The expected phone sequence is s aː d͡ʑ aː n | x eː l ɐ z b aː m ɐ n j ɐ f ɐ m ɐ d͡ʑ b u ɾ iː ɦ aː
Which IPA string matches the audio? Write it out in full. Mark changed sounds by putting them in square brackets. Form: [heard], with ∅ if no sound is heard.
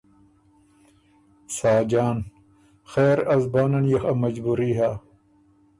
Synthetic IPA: s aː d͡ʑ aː n | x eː [ɾ] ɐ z b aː [n] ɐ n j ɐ [x] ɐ m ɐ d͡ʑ b u ɾ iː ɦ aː